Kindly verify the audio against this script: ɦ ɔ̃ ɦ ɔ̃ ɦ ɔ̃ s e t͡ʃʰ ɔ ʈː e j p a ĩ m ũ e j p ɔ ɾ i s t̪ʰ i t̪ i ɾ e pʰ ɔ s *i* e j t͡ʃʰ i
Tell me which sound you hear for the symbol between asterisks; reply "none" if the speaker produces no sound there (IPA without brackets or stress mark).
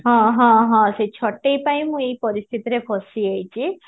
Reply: i